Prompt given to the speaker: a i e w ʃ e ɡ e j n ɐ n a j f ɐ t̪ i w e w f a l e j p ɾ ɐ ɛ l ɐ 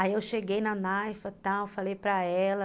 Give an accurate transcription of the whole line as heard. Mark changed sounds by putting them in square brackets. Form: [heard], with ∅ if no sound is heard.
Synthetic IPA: a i e w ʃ e ɡ e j n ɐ n a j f ɐ t̪ [a] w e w f a l e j p ɾ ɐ ɛ l ɐ